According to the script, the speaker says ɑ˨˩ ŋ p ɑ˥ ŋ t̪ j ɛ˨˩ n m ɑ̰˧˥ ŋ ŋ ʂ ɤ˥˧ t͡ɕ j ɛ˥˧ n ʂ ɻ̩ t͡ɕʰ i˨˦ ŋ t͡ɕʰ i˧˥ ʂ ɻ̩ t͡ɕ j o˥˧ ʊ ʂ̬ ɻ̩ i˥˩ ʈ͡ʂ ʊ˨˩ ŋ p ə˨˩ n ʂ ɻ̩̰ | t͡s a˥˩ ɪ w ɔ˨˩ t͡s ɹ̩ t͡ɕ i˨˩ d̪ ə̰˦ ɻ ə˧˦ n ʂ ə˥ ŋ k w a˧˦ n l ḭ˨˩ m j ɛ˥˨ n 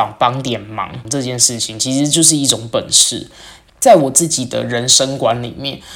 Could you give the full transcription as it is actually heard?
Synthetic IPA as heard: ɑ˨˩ ŋ p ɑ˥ ŋ t̪ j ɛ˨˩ n m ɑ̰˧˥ ŋ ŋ ʈ͡ʂ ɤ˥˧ t͡ɕ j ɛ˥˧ n ʂ ɻ̩ t͡ɕʰ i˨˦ ŋ t͡ɕʰ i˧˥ ʂ ɻ̩ t͡ɕ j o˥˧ ʊ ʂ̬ ɻ̩ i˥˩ ʈ͡ʂ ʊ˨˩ ŋ p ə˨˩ n ʂ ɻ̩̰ | t͡s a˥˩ ɪ w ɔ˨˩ t͡s ɹ̩ t͡ɕ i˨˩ d̪ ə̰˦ ɻ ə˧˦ n ʂ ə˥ ŋ k w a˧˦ n l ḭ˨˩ m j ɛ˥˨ n